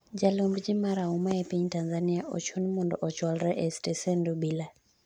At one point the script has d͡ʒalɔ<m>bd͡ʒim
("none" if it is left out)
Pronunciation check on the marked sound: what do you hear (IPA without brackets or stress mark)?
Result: m